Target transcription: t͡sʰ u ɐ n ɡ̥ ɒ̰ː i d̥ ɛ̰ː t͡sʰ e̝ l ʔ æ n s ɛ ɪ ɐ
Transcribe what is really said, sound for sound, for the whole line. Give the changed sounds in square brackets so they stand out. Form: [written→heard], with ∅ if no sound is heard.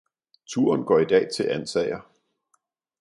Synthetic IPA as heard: t͡sʰ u ɐ n ɡ̥ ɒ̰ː i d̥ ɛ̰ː t͡sʰ e̝ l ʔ æ n s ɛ ɪ ɐ